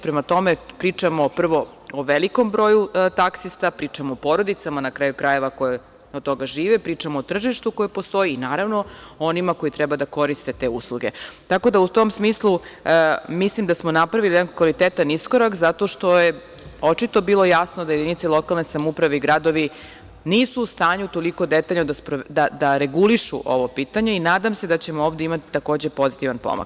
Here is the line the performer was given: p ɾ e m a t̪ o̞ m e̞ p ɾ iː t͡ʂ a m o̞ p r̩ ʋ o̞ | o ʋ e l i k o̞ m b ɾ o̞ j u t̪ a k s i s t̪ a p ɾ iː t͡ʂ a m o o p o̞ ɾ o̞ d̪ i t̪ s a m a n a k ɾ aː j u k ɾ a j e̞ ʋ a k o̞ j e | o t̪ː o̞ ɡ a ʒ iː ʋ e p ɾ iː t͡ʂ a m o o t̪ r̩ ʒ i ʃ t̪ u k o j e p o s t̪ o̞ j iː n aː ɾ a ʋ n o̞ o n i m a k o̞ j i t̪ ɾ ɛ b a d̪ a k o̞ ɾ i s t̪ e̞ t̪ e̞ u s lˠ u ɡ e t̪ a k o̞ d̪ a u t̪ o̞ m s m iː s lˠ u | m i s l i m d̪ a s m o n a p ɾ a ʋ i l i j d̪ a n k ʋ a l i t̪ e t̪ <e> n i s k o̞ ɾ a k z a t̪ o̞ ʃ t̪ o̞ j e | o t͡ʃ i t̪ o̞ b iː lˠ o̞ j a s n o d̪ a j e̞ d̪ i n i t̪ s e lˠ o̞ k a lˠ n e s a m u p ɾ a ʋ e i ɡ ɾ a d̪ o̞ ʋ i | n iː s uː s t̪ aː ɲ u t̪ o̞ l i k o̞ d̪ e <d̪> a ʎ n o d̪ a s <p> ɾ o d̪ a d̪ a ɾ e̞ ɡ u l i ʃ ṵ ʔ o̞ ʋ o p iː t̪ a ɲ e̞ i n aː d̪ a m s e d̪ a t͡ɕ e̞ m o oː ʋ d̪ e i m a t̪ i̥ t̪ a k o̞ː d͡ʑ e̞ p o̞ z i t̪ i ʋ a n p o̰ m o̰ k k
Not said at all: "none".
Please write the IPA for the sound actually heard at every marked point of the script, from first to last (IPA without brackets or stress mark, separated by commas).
a, t̪, p